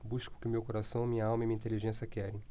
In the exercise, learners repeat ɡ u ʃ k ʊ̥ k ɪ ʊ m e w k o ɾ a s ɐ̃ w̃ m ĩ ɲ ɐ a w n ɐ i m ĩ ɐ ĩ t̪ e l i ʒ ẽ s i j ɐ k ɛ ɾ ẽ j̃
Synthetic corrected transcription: b u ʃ k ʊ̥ k ɪ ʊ m e w k o ɾ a s ɐ̃ w̃ m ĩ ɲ ɐ a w m ɐ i m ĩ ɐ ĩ t̪ e l i ʒ ẽ s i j ɐ k ɛ ɾ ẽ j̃

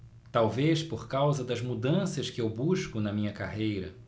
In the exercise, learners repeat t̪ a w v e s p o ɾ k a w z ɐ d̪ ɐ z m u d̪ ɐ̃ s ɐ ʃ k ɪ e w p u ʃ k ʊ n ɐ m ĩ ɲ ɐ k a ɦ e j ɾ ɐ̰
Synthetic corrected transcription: t̪ a w v e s p o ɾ k a w z ɐ d̪ ɐ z m u d̪ ɐ̃ s ɐ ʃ k ɪ e w b u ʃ k ʊ n ɐ m ĩ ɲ ɐ k a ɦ e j ɾ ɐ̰

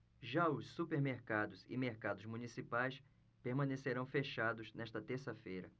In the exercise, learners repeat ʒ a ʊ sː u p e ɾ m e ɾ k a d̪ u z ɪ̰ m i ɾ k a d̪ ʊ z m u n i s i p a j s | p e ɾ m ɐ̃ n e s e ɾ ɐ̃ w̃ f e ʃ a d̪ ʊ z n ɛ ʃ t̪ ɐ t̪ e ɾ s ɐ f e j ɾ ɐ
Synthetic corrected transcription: ʒ a ʊ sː u p e ɾ m e ɾ k a d̪ ʊ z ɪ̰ m e ɾ k a d̪ ʊ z m u n i s i p a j s | p e ɾ m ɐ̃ n e s e ɾ ɐ̃ w̃ f e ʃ a d̪ ʊ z n ɛ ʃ t̪ ɐ t̪ e ɾ s ɐ f e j ɾ ɐ

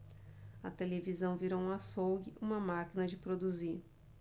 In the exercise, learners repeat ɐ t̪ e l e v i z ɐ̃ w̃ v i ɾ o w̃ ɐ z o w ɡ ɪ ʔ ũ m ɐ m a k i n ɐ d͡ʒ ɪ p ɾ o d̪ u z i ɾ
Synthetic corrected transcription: ɐ t̪ e l e v i z ɐ̃ w̃ v i ɾ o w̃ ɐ s o w ɡ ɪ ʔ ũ m ɐ m a k i n ɐ d͡ʒ ɪ p ɾ o d̪ u z i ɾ

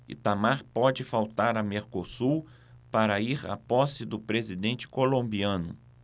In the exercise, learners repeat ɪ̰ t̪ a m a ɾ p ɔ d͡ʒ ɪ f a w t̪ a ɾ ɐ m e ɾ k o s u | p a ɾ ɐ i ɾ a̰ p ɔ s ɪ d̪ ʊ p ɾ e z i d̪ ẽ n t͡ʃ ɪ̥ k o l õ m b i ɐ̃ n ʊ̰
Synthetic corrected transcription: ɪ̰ t̪ a m a ɾ p ɔ d͡ʒ ɪ f a w t̪ a ɾ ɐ m e ɾ k o s u | p a ɾ ɐ i ɾ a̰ p ɔ s ɪ d̪ ʊ p ɾ e z i d̪ ẽ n t͡ʃ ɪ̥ k o l õ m b i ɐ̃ n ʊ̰

